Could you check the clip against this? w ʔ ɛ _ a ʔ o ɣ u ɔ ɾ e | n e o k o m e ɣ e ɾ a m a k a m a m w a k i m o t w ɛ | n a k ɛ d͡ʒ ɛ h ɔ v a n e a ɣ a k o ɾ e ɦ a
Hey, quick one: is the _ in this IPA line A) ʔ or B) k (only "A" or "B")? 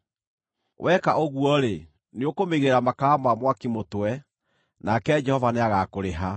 B